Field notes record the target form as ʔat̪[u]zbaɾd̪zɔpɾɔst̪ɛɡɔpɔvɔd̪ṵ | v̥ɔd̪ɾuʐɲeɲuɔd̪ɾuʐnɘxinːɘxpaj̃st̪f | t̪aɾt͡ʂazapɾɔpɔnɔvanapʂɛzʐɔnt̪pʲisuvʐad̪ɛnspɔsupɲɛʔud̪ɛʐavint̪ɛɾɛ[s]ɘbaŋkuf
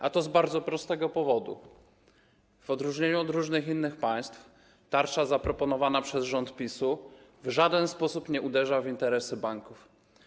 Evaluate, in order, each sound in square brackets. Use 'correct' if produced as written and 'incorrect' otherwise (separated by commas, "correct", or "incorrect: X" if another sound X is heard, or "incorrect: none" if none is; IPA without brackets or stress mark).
incorrect: ɔ, correct